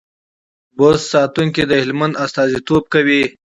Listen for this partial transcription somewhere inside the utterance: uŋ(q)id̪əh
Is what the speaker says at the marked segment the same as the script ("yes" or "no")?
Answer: no